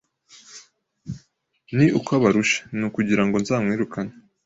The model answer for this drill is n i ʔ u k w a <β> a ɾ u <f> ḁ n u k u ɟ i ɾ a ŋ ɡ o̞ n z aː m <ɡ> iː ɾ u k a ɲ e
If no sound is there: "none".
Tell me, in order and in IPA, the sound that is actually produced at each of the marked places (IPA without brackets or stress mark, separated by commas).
β, ʃ, ŋ